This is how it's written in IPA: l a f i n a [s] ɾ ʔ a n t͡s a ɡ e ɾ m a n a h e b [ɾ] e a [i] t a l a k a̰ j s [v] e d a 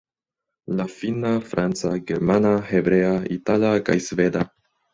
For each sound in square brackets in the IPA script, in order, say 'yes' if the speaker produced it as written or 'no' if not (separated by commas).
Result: no, yes, yes, yes